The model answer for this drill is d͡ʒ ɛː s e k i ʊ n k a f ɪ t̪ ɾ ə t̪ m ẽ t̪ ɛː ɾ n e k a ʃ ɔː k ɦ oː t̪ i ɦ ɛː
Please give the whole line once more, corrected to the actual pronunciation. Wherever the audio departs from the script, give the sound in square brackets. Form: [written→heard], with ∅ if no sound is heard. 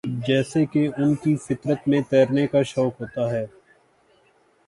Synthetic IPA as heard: d͡ʒ ɛː s e k [i→e] ʊ n k [a→i] f ɪ t̪ ɾ ə t̪ m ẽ t̪ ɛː ɾ n e k a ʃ ɔː k ɦ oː t̪ [i→a] ɦ ɛː